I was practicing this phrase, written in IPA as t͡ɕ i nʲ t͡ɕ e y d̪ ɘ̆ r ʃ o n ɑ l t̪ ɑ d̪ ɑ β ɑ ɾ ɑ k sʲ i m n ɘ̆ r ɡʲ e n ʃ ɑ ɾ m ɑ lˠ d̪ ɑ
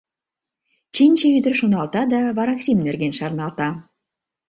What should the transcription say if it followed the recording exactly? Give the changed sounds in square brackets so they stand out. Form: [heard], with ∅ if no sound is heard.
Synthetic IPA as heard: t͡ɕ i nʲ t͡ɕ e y d̪ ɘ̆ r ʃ o n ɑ l t̪ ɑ d̪ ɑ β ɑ ɾ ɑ k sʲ i m n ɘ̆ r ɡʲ e n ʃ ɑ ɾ [n] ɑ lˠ [t̪] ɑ